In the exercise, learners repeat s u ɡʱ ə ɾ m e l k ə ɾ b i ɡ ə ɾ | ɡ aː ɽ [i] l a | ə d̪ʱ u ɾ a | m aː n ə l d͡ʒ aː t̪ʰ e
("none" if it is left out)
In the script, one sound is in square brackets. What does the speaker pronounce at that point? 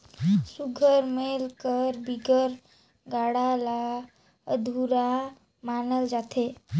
a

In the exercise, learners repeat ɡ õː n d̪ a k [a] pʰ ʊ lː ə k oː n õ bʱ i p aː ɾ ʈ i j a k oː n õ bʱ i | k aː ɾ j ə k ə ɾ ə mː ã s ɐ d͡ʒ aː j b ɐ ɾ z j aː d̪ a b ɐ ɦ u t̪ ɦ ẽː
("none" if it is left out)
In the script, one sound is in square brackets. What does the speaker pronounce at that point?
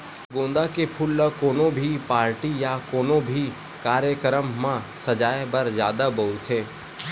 e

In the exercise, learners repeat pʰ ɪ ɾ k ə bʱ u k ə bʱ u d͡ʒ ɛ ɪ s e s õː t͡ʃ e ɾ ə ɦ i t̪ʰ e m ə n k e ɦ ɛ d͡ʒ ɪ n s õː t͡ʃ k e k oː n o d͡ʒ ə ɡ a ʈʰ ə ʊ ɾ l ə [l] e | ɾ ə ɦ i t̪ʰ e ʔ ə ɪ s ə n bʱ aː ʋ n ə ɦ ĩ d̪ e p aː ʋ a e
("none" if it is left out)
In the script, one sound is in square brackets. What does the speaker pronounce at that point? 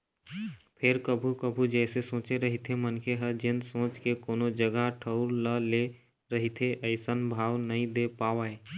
l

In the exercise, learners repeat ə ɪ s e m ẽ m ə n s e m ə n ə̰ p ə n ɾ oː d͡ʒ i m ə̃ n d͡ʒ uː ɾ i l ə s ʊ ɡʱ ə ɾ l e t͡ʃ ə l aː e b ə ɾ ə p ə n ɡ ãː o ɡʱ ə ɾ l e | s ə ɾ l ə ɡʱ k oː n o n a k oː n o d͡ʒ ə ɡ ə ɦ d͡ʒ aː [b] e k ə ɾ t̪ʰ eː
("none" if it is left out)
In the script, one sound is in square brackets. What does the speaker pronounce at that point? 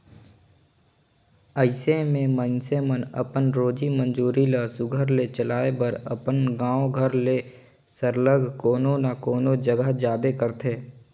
b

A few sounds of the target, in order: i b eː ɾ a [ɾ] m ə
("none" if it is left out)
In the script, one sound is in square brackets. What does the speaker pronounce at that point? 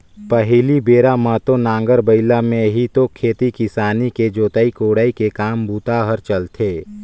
none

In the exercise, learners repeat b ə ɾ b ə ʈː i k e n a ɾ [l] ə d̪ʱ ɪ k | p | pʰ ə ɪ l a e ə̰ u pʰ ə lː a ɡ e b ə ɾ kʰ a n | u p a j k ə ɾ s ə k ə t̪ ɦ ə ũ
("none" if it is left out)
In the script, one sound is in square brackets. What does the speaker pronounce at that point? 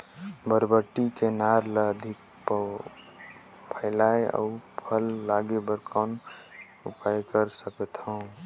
l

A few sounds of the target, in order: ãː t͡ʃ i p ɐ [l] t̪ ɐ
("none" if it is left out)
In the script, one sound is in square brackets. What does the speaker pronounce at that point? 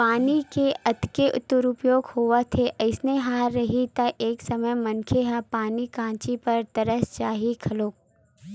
ɾ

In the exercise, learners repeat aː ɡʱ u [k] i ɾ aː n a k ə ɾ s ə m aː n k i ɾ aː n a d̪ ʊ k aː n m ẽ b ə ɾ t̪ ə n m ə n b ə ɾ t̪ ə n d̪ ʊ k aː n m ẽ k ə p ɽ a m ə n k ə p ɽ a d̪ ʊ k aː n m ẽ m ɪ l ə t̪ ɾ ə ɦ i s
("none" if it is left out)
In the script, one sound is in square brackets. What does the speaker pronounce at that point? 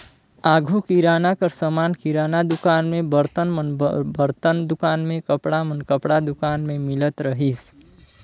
k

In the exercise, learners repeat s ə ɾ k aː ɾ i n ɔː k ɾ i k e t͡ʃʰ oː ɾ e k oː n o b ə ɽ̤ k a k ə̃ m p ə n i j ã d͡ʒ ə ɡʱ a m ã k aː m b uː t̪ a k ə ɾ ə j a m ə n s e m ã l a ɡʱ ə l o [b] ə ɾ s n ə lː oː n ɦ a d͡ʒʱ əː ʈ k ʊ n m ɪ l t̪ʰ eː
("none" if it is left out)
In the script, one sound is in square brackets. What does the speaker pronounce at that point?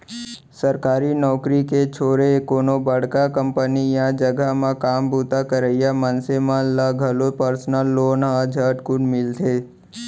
p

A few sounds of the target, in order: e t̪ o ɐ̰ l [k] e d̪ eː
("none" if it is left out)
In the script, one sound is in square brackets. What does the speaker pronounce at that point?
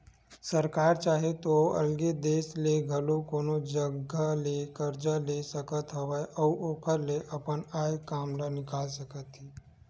ɡ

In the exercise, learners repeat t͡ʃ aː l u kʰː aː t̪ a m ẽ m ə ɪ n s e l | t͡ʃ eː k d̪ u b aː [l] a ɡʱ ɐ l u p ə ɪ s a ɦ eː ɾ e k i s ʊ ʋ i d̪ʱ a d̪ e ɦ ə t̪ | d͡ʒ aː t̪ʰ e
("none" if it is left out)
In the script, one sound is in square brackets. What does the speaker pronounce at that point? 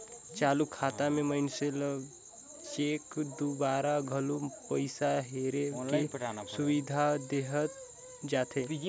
ɾ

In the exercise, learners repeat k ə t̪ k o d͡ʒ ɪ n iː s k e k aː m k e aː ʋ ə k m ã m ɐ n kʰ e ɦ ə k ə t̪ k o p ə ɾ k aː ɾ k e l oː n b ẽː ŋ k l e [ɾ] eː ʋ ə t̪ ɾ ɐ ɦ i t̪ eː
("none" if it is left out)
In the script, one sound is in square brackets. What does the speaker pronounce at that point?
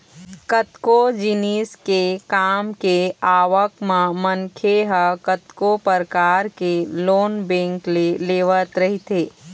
l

